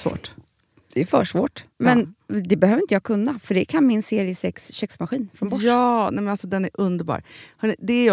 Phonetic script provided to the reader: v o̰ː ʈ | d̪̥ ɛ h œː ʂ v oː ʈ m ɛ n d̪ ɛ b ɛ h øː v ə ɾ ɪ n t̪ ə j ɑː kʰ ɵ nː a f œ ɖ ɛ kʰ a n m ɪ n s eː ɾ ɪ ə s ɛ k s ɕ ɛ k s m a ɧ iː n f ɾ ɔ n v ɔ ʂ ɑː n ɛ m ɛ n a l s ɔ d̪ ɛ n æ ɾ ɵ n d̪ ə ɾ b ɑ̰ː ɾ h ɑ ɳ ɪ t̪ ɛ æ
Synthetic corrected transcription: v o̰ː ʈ | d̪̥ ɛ f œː ʂ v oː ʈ m ɛ n d̪ ɛ b ɛ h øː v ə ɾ ɪ n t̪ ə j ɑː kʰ ɵ nː a f œ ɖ ɛ kʰ a n m ɪ n s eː ɾ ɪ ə s ɛ k s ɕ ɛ k s m a ɧ iː n f ɾ ɔ n b ɔ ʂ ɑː n ɛ m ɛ n a l s ɔ d̪ ɛ n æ ɾ ɵ n d̪ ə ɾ b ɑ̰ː ɾ h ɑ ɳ ɪ d̪ ɛ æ